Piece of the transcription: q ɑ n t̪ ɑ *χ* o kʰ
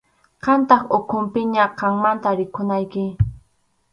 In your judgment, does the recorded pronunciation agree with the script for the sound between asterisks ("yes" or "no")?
yes